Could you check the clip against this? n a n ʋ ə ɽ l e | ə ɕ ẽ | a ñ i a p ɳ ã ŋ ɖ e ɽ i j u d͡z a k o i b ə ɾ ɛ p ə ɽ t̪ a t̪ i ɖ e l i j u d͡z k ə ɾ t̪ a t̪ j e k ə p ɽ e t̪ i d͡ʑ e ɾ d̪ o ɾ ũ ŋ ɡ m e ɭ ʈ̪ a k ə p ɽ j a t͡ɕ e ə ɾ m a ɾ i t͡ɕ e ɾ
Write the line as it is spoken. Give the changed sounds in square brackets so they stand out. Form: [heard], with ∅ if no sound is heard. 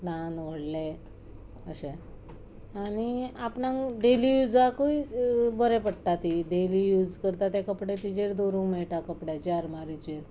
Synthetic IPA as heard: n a n ʋ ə ɽ l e | ə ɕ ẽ | a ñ i a p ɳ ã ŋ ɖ e [l] i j u d͡z a k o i b ə ɾ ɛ p ə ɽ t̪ a t̪ i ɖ e l i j u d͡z k ə ɾ t̪ a t̪ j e k ə p ɽ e t̪ i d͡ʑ e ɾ d̪ o ɾ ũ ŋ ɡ m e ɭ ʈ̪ a k ə p ɽ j a t͡ɕ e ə ɾ m a ɾ i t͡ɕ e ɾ